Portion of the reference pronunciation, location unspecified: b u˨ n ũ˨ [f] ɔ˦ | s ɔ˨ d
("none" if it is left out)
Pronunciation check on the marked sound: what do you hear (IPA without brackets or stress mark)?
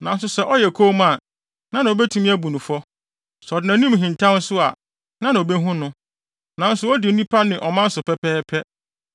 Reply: f